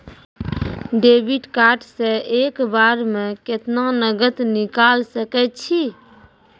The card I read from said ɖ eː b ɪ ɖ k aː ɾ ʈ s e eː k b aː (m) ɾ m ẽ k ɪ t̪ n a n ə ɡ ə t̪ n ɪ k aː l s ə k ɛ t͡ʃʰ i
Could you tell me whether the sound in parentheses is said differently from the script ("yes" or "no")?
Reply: yes